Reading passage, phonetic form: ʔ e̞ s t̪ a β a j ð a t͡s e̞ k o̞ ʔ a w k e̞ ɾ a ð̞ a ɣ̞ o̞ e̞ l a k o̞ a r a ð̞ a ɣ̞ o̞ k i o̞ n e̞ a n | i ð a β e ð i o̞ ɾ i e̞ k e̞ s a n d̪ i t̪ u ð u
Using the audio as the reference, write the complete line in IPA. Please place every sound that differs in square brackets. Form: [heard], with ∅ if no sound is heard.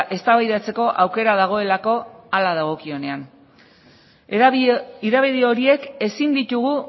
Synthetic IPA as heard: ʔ e̞ s t̪ a β a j ð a t͡s e̞ k o̞ ʔ a w k e̞ ɾ a ð̞ a ɣ̞ o̞ e̞ l a k o̞ a [l] a ð̞ a ɣ̞ o̞ k i o̞ n e̞ a n | i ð a β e ð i o̞ ɾ i e̞ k e̞ s [i] n d̪ i t̪ u [ɣ] u